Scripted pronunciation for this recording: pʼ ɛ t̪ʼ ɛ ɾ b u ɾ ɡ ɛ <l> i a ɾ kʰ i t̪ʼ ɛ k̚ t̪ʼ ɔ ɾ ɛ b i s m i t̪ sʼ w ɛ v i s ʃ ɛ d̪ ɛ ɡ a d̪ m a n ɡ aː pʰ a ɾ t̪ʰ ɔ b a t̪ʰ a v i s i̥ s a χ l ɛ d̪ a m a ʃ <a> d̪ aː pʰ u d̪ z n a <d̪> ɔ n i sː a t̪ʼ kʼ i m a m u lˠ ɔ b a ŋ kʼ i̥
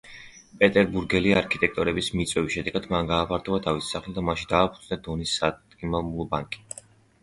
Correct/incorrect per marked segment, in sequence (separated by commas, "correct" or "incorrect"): correct, incorrect, correct